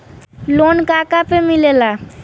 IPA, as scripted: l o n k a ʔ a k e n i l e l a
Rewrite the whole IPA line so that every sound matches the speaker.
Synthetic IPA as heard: l o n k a k a p e m i l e l a